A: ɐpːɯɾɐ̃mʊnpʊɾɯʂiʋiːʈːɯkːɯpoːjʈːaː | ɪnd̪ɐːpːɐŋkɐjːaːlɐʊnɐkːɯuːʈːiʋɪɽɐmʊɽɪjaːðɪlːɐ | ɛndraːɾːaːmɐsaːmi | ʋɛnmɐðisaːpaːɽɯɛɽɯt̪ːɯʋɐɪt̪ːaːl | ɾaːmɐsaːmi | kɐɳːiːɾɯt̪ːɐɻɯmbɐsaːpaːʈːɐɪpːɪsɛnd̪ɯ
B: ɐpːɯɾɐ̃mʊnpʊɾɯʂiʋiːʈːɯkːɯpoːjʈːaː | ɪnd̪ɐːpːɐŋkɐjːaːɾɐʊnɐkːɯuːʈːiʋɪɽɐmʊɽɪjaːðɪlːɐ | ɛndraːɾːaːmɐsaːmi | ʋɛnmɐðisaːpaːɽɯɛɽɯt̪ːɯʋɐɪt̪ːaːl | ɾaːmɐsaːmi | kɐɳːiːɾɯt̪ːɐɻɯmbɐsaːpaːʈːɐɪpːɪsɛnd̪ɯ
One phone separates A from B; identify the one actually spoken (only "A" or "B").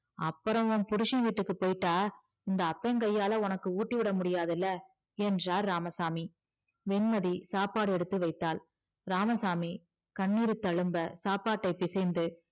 A